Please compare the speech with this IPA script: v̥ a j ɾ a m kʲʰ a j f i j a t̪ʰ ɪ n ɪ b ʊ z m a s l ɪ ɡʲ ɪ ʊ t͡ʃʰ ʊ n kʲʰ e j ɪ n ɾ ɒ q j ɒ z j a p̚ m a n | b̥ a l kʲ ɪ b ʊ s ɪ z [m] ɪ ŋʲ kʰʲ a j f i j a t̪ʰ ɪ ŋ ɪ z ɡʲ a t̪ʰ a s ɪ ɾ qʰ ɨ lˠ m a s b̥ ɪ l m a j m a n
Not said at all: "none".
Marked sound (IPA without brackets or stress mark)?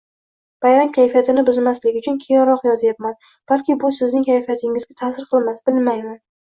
n